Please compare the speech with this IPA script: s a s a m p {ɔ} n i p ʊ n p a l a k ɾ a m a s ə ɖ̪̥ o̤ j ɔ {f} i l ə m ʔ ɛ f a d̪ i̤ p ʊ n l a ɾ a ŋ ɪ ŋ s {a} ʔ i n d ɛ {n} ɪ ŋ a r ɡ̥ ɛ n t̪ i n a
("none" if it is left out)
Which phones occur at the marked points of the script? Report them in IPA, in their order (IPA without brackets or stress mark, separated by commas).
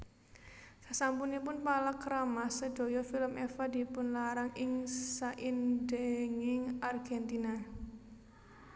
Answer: u, f, a, ŋ